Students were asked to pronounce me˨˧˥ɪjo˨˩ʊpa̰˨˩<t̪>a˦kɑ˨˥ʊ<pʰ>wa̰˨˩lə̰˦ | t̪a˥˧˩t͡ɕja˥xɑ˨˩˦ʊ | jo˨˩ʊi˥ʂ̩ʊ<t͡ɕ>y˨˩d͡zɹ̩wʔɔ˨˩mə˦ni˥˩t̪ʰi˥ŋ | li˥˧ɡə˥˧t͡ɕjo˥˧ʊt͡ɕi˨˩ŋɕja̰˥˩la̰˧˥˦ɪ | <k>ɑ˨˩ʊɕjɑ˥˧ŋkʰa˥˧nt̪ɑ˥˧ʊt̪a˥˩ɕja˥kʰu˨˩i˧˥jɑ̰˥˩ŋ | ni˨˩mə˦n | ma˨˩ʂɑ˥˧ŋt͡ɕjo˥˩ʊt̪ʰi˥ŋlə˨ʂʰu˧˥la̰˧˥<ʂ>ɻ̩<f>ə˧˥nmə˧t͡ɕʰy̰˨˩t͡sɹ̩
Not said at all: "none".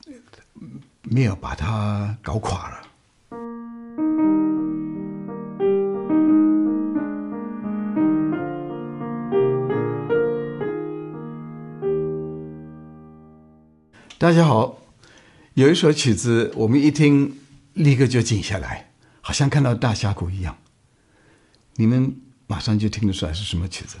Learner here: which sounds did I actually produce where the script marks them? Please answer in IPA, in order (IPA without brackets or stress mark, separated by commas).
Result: t̪ʰ, kʰ, t͡ɕʰ, x, ʂ, ʂ